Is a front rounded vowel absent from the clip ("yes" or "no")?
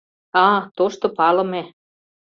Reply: yes